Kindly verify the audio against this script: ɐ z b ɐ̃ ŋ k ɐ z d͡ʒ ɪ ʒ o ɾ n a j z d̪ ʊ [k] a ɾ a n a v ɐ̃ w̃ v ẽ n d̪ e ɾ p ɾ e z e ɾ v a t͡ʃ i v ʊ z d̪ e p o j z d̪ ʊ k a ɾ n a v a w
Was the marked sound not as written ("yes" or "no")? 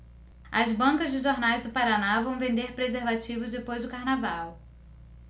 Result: yes